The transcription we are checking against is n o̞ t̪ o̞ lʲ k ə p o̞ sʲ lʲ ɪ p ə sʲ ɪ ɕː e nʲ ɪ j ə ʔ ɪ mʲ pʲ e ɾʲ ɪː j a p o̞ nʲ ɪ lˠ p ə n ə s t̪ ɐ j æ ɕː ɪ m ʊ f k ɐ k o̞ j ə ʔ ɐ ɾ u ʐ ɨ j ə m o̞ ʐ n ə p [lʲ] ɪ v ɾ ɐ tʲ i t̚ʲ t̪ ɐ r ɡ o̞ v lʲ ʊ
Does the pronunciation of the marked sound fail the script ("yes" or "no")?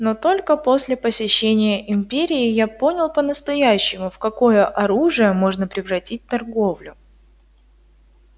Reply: yes